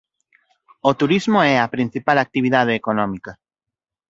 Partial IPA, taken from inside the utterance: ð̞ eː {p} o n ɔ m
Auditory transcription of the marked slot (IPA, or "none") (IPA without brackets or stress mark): k